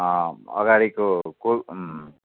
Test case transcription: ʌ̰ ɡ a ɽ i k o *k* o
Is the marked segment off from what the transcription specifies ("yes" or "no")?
no